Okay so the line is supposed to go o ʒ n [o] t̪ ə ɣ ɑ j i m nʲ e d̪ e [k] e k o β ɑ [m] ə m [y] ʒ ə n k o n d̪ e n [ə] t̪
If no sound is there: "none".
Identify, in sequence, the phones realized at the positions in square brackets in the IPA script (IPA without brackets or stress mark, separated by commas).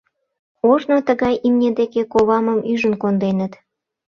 o, k, m, y, ə